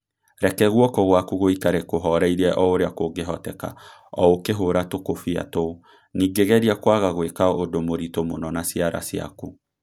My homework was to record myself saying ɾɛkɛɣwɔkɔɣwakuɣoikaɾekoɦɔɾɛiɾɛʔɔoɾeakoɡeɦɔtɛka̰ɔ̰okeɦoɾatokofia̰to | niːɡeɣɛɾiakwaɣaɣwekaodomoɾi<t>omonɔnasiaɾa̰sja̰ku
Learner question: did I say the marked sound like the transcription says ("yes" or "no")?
yes